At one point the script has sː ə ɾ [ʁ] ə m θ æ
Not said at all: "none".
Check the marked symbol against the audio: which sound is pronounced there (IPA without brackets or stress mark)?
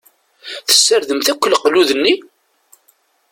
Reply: ð